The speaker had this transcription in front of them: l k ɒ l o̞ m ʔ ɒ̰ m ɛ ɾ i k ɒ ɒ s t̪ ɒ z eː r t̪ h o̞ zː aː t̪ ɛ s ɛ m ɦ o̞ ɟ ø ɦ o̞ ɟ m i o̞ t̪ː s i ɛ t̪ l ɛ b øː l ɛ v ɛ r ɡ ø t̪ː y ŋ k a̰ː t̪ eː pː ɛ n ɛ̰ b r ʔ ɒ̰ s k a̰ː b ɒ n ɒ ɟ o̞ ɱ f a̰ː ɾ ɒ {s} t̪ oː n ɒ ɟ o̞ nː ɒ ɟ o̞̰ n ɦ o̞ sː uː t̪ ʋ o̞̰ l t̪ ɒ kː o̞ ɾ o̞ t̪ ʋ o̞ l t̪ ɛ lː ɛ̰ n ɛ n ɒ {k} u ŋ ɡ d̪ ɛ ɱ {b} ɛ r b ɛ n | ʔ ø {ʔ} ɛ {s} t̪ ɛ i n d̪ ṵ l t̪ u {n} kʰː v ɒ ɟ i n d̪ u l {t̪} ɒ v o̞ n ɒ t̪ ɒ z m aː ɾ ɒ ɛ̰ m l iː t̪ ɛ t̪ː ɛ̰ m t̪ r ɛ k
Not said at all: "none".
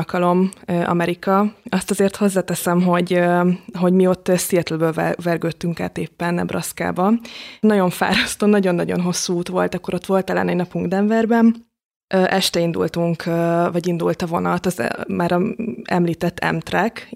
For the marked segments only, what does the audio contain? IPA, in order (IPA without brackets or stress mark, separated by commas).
s, p, v, ʔ, ʃ, ŋ, t̪